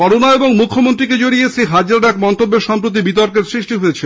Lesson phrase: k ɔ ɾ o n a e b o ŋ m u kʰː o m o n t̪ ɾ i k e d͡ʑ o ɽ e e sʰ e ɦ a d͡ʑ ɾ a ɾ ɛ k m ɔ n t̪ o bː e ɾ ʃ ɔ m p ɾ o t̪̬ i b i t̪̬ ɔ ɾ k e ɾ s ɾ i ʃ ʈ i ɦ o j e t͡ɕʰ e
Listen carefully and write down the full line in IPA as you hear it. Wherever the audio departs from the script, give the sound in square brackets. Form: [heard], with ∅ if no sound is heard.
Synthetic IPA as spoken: k ɔ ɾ o n a e b o ŋ m u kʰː o m o n t̪ ɾ i k e d͡ʑ o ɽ [i] e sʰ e ɦ a d͡ʑ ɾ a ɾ ɛ k m ɔ n t̪ o bː e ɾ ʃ ɔ m p ɾ o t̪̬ i b i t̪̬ ɔ ɾ k e ɾ s ɾ i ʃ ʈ i ɦ o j e t͡ɕʰ e